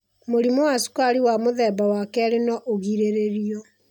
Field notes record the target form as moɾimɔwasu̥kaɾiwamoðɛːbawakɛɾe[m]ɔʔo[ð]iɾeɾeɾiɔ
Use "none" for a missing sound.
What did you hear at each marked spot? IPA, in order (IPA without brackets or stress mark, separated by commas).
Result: n, ɣ